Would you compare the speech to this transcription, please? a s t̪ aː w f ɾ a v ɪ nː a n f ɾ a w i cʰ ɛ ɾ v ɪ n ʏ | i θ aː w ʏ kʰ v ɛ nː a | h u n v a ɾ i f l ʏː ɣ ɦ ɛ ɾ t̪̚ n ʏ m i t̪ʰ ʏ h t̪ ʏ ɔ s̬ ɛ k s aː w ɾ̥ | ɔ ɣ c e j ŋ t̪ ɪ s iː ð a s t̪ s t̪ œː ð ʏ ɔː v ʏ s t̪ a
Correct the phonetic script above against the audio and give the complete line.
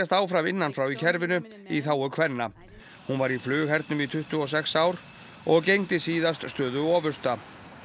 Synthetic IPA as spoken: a s t̪ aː w f ɾ a v ɪ nː a n f ɾ a w i cʰ ɛ ɾ v ɪ n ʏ | i θ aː w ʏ kʰ v ɛ nː a | h u n v a ɾ i f l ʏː ɣ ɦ ɛ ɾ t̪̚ n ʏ m i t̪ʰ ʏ h t̪ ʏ ɔ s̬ ɛ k s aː w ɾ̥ | ɔ ɣ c e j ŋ t̪ ɪ s iː ð a s t̪ s t̪ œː ð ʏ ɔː v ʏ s t̪ a